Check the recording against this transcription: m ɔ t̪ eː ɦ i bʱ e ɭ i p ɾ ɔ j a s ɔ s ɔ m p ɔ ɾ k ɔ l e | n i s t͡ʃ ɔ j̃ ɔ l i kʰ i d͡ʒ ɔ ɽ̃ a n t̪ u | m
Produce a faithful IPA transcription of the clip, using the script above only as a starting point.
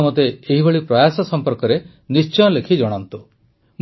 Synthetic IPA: m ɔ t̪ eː ɦ i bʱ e ɭ i p ɾ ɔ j a s ɔ s ɔ m p ɔ ɾ k ɔ ɾ e | n i s t͡ʃ ɔ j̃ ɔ l e kʰ i d͡ʒ ɔ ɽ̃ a n t̪ u | m